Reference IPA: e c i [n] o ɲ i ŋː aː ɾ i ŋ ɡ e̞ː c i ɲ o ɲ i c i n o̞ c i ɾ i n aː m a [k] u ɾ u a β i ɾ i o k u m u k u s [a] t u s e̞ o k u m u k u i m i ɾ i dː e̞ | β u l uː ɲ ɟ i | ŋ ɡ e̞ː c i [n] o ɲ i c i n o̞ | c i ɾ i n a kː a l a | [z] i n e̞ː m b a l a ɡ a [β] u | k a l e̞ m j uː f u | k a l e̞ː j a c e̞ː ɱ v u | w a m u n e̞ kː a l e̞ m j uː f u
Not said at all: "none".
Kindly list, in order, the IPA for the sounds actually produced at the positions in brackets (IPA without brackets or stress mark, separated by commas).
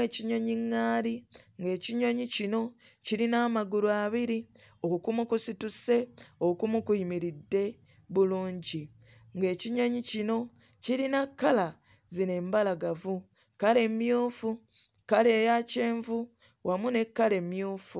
ɲ, ɡ, i, ɲ, z, v